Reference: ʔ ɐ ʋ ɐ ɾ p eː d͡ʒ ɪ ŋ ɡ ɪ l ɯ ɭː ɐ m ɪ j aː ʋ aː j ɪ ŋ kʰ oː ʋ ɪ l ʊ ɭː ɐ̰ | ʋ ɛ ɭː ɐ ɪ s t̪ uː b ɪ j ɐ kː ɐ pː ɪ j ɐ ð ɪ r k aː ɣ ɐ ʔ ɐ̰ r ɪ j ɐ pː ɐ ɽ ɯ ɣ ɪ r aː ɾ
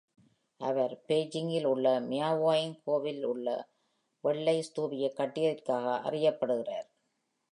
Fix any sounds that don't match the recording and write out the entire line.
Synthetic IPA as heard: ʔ ɐ ʋ ɐ ɾ p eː d͡ʒ ɪ ŋ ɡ ɪ l ʊ ɭː ɐ m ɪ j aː ʋ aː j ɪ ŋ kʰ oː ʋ ɪ l ʊ ɭː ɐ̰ | ʋ ɛ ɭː ɐ ɪ s t̪ uː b ɪ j ɐ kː ɐ ʈː ɪ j ɐ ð ɪ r k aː ɣ ɐ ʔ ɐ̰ r ɪ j ɐ pː ɐ ɽ ɯ ɣ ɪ r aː ɾ

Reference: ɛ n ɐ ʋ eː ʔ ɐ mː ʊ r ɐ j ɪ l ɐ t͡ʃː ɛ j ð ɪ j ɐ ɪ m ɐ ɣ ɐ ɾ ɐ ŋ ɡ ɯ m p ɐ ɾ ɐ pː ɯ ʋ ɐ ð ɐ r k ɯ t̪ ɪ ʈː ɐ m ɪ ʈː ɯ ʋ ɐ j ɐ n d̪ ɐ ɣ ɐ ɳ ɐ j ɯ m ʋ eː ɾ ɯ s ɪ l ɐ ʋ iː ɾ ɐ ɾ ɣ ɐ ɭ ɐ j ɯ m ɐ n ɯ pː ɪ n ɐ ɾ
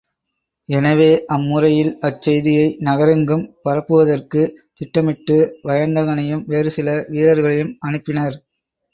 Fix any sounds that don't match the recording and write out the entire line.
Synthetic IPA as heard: ɛ n ɐ ʋ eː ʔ ɐ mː ʊ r ɐ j ɪ l ɐ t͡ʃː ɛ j ð ɪ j ɐ ɪ n ɐ ɣ ɐ ɾ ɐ ŋ ɡ ɯ m p ɐ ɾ ɐ pː ɯ ʋ ɐ ð ɐ r k ɯ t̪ ɪ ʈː ɐ m ɪ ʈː ɯ ʋ ɐ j ɐ n d̪ ɐ ɣ ɐ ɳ ɐ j ɯ m ʋ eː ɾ ɯ s ɪ l ɐ ʋ iː ɾ ɐ ɾ ɣ ɐ ɭ ɐ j ɯ m ɐ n ɯ pː ɪ n ɐ ɾ

